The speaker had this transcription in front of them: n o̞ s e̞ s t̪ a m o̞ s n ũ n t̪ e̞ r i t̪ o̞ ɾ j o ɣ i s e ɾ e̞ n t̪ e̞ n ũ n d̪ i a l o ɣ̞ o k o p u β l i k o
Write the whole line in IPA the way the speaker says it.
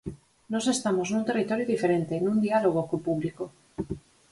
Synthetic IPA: n o̞ s e̞ s t̪ a m o̞ s n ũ n t̪ e̞ r i t̪ o̞ ɾ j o ð i f e ɾ e̞ n t̪ e̞ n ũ n d̪ i a l o ɣ̞ o k o p u β l i k o